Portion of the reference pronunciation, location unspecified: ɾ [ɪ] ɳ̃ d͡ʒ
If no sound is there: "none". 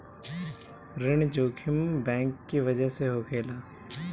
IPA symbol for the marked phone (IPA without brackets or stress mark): ɪ